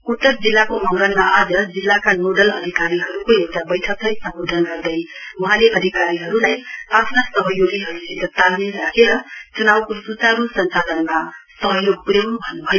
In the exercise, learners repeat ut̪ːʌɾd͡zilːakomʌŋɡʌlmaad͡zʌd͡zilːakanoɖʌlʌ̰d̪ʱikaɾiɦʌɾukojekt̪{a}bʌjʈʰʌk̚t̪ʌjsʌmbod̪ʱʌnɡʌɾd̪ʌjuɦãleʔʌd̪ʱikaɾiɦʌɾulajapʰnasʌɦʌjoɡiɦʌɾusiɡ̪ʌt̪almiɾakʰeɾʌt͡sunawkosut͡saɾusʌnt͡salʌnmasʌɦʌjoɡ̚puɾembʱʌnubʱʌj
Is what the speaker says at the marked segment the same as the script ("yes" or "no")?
yes